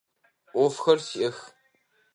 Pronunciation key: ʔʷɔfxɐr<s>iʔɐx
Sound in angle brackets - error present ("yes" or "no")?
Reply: no